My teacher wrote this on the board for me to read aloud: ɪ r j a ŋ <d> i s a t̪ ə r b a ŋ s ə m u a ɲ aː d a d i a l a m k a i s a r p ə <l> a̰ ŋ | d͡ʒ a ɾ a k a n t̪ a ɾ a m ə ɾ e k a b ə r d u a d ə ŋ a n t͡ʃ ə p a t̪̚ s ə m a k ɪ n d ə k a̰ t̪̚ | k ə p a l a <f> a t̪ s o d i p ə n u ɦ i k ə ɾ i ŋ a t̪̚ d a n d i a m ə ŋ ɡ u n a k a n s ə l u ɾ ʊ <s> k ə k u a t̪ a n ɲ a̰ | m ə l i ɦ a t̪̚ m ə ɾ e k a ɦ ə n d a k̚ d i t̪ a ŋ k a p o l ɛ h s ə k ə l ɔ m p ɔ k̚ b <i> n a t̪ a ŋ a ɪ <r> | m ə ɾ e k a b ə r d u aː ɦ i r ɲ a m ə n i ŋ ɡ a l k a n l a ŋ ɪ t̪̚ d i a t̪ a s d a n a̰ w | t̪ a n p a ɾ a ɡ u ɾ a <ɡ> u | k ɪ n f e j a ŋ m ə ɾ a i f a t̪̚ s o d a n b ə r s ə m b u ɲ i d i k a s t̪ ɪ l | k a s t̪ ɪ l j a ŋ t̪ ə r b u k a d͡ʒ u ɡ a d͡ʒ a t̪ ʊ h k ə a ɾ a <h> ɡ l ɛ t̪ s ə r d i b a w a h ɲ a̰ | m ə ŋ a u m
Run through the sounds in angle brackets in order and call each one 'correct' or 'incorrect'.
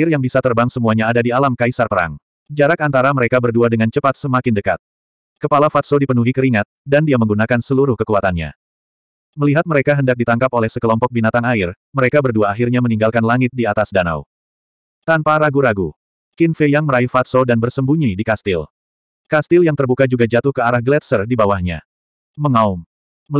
incorrect: b, incorrect: ɾ, correct, incorrect: h, correct, correct, correct, correct

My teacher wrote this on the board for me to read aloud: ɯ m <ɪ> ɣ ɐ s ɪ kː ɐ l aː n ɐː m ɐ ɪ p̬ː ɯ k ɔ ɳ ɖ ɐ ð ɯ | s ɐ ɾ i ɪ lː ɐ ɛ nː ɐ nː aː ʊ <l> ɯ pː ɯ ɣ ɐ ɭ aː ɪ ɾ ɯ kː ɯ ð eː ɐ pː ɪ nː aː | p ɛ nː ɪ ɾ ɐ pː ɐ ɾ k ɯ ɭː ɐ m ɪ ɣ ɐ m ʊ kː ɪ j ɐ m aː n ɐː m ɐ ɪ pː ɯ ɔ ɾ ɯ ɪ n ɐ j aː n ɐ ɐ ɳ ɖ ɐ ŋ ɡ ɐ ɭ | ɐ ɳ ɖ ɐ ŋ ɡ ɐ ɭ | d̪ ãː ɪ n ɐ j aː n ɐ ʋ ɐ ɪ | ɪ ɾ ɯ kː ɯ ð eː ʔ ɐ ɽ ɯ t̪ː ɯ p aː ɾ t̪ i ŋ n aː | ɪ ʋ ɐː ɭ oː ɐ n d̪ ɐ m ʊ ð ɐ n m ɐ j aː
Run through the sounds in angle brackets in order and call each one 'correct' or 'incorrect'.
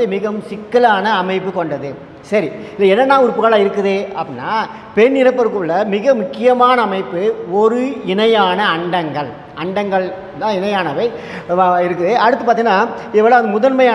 correct, incorrect: ɾ

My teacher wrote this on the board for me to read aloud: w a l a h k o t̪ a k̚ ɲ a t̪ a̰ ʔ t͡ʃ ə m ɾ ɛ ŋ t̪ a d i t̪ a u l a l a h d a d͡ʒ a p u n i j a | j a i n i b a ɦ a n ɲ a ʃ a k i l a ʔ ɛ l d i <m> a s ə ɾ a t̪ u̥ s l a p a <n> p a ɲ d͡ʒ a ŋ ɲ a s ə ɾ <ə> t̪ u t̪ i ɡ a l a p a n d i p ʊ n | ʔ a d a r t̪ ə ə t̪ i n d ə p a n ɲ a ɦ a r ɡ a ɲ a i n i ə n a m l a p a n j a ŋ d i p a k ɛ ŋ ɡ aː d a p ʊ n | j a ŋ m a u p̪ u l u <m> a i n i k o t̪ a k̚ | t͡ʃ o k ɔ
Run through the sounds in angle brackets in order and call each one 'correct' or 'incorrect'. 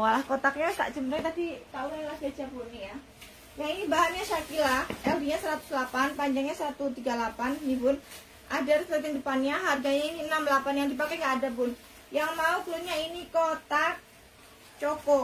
incorrect: ɲ, correct, incorrect: a, incorrect: ɲ

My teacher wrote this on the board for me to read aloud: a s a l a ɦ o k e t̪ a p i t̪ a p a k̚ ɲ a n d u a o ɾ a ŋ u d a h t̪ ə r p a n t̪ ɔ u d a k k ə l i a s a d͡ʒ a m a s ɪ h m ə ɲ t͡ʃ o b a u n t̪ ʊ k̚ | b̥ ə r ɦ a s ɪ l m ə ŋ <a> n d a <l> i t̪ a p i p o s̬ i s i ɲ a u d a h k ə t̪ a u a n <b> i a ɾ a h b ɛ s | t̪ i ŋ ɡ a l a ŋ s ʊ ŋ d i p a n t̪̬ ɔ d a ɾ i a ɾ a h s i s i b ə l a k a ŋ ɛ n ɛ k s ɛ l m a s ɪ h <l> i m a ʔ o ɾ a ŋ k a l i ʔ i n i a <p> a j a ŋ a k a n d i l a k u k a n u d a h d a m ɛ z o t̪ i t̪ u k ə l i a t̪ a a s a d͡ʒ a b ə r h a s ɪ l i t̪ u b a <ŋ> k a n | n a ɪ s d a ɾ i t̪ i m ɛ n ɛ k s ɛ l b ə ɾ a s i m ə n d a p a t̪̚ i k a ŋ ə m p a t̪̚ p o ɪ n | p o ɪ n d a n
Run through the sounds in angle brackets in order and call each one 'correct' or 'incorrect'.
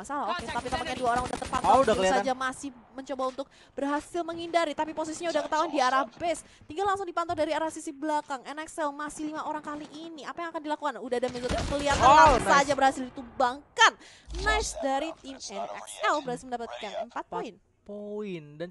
incorrect: i, incorrect: ɾ, incorrect: d, correct, correct, correct

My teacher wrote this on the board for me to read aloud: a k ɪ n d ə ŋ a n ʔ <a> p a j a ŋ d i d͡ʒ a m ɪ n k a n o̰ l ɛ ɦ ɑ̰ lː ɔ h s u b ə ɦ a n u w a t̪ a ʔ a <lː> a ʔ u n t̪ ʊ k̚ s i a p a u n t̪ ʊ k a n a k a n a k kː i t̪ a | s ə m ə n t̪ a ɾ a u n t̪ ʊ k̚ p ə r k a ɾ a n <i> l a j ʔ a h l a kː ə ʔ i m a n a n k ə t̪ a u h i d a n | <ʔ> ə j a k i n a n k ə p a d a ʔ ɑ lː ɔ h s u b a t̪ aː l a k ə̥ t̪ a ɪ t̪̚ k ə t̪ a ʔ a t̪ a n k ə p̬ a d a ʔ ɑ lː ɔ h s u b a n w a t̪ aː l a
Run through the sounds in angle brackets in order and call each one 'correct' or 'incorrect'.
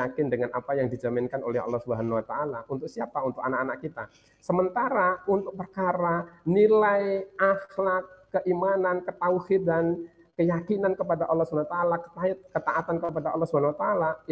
correct, incorrect: l, correct, incorrect: k

